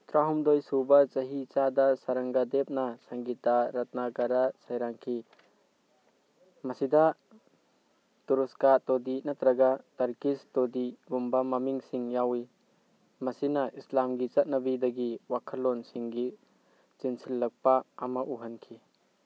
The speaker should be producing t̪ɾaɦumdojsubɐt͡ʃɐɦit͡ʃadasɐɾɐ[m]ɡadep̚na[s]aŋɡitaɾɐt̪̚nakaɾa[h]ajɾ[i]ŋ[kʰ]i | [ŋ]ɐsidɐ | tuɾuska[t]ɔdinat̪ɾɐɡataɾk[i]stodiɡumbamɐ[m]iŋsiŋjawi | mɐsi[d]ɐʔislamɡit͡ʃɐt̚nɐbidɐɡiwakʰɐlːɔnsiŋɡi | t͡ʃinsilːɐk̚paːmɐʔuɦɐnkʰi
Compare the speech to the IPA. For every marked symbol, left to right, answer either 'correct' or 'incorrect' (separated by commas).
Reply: incorrect, correct, incorrect, incorrect, correct, incorrect, correct, correct, correct, incorrect